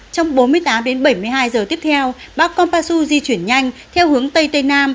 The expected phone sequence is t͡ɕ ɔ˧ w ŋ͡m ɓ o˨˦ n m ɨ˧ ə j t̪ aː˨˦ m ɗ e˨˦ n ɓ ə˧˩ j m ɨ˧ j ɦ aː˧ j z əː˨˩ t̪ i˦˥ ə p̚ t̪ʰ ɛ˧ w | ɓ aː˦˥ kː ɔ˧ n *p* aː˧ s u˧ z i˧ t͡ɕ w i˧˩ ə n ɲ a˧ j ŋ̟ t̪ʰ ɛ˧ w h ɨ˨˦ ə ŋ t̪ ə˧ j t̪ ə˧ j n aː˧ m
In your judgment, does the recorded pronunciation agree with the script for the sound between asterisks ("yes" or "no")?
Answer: yes